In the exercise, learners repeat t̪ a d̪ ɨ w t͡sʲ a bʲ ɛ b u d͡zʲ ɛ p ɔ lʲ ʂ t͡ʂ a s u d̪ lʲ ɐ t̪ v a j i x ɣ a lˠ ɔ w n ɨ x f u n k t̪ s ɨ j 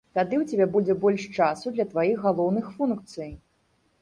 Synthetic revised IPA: t̪ a d̪ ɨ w t͡sʲ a bʲ ɛ b u d͡zʲ ɛ b ɔ lʲ ʂ t͡ʂ a s u d̪ lʲ ɐ t̪ v a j i x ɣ a lˠ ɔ w n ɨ x f u n k t̪ s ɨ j